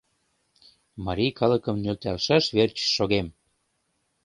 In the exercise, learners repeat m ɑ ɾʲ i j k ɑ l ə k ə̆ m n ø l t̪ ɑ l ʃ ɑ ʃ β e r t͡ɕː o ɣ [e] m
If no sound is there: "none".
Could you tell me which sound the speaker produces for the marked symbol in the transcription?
e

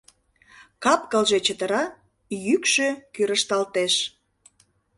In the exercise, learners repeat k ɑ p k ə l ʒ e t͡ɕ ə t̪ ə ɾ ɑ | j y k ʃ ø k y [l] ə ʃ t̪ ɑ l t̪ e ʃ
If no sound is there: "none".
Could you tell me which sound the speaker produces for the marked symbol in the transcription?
ɾ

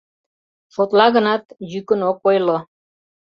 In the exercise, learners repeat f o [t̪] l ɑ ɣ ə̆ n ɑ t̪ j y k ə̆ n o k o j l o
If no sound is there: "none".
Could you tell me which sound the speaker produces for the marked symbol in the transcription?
t̪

